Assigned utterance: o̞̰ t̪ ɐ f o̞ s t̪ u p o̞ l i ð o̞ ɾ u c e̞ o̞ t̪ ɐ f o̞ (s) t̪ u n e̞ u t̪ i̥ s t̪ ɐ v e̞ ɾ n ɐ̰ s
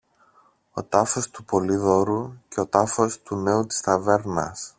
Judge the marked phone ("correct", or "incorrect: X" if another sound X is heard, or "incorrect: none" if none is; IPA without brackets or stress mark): correct